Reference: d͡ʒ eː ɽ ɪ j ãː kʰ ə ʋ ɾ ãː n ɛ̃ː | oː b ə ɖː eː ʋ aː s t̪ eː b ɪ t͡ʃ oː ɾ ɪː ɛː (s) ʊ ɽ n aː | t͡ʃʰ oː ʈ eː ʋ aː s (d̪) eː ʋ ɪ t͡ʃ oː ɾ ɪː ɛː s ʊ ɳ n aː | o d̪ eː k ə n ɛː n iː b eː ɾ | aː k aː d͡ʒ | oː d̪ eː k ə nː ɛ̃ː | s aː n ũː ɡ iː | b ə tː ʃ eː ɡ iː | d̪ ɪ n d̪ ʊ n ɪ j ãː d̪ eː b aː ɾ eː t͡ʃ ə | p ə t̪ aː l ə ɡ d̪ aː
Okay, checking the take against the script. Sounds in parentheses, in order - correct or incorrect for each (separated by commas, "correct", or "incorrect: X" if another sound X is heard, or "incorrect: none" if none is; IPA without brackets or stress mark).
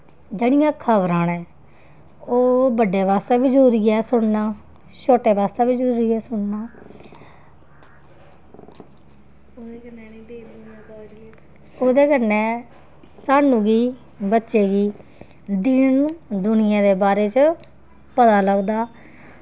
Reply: correct, incorrect: t̪